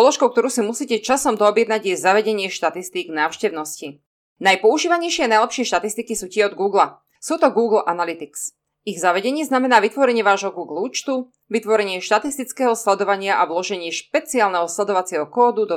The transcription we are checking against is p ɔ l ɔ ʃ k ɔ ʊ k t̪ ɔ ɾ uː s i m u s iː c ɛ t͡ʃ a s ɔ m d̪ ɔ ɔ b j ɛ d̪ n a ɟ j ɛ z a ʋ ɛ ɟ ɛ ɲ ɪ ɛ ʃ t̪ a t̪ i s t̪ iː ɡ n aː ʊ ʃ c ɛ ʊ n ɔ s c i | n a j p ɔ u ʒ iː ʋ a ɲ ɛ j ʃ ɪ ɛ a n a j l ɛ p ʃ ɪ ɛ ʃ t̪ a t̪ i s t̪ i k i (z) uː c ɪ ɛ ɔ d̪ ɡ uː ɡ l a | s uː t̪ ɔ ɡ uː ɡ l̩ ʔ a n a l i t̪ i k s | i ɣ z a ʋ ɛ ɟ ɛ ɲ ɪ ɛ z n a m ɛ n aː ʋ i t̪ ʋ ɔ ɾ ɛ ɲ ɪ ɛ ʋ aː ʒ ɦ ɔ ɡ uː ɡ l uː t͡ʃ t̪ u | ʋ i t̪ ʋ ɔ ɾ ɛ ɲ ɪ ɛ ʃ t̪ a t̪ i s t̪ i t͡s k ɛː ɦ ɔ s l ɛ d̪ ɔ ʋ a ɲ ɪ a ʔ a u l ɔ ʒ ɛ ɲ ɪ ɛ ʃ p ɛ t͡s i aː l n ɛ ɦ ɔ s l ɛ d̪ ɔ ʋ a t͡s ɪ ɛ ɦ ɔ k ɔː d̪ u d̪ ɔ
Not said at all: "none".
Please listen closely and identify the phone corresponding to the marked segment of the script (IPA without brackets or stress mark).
s